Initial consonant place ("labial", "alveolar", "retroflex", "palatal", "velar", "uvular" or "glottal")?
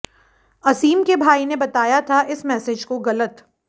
alveolar